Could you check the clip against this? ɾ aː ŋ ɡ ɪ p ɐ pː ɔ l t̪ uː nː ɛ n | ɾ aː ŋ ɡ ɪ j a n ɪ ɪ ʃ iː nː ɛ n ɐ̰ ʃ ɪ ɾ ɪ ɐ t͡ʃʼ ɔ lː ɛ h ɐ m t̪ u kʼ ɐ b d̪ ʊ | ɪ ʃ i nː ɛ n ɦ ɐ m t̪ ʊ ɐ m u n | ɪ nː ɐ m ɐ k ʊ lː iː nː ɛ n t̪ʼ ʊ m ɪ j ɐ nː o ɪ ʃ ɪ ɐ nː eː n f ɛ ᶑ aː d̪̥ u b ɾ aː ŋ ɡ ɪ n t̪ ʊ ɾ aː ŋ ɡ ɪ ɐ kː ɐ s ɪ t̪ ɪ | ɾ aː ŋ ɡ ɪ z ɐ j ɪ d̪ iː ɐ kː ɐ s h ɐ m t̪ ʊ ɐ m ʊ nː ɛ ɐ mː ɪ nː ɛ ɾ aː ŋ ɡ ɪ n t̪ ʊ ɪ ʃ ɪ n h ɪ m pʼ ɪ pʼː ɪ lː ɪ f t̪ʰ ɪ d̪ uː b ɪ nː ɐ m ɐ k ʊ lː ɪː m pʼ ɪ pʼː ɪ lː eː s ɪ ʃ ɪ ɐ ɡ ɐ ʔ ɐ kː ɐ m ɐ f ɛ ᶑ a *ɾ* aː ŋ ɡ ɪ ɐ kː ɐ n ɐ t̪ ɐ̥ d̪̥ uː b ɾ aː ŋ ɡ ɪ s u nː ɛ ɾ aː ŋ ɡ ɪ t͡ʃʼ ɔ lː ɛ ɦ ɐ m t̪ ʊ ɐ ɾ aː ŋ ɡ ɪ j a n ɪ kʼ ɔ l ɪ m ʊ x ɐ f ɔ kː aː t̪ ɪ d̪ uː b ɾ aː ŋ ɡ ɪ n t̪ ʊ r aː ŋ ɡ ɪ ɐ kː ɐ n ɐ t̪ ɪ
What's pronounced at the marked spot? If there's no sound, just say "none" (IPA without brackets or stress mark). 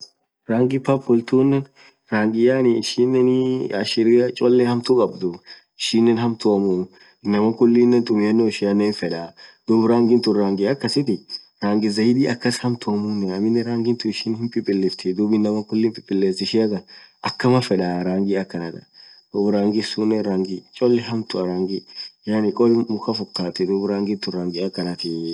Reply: ɾ